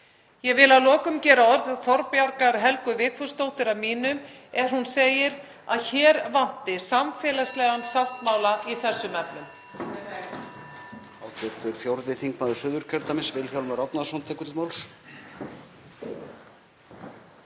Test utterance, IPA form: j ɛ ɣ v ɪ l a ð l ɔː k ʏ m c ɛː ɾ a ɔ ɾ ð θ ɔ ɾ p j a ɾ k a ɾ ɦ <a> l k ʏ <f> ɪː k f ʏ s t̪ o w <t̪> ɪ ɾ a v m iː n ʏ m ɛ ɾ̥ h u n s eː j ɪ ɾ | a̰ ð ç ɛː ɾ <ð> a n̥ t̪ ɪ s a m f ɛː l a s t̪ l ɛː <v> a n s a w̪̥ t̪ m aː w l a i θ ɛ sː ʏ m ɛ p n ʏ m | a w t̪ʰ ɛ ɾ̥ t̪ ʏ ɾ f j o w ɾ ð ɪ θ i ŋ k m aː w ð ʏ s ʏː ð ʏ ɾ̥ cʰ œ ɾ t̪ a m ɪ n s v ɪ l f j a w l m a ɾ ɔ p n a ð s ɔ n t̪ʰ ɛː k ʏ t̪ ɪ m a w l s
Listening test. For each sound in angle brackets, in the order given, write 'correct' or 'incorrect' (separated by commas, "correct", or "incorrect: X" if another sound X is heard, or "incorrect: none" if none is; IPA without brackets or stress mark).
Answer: incorrect: ɛ, incorrect: v, correct, incorrect: v, incorrect: ɣ